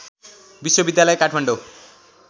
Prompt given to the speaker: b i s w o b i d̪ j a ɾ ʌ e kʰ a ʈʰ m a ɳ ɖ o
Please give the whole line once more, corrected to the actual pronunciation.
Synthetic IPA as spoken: b i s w o b i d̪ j a l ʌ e k a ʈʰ m a ɳ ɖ o